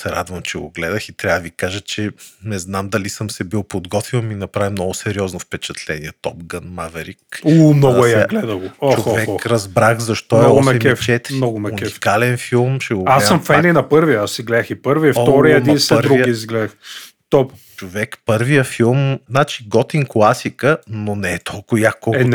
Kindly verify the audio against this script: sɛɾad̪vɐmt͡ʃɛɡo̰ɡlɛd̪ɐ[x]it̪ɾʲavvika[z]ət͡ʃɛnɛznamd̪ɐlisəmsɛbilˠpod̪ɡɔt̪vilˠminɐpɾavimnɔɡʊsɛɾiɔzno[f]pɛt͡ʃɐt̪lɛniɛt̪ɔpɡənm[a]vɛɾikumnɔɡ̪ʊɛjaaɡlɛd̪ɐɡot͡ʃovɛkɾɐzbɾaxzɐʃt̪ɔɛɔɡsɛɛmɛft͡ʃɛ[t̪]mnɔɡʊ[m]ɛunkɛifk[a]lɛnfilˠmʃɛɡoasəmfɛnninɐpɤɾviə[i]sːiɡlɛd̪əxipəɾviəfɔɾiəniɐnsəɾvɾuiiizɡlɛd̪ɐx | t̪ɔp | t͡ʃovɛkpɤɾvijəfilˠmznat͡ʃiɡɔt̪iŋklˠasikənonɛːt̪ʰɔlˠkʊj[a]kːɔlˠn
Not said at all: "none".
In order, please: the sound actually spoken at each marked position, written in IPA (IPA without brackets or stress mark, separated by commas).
x, ʒ, f, a, t̪, m, a, a, a